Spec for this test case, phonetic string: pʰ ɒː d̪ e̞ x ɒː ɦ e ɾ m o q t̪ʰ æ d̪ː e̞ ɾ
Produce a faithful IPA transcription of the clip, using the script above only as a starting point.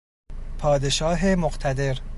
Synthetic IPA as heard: pʰ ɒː d̪ e̞ ʃ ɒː ɦ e m o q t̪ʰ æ d̪ e̞ ɾ